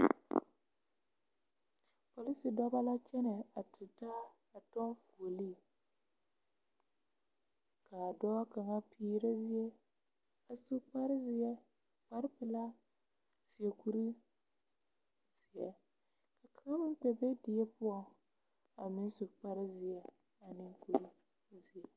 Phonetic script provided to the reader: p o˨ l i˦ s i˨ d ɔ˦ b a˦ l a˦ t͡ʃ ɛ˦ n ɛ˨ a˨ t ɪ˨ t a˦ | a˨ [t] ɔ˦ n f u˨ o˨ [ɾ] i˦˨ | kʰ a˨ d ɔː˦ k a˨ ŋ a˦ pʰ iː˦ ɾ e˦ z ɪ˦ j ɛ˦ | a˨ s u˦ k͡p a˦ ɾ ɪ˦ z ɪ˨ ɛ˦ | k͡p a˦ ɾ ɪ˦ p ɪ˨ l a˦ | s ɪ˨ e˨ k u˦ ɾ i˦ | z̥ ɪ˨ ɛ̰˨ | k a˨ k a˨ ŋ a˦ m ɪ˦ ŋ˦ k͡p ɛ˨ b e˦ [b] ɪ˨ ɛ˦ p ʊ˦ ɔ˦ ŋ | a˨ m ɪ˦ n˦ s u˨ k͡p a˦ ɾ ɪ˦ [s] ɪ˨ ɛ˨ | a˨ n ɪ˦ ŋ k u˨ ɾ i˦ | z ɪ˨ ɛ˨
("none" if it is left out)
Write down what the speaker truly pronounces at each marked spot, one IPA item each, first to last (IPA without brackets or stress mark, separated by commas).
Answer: t, l, d, z